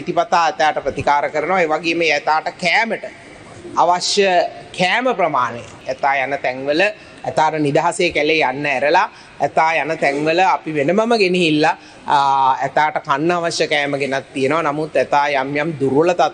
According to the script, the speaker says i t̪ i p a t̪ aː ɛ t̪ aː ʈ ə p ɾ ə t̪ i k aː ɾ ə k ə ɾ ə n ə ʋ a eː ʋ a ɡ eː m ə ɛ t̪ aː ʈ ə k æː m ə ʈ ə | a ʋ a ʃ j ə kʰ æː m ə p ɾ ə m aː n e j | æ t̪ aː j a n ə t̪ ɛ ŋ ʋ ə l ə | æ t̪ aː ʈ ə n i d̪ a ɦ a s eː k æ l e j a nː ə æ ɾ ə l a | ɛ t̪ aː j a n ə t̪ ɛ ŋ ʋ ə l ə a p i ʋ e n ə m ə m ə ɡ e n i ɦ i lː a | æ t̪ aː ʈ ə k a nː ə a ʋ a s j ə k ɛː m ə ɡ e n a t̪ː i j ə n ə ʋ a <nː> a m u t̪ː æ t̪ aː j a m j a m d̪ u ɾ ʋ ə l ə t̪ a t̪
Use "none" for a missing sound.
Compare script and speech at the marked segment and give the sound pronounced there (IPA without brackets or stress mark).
n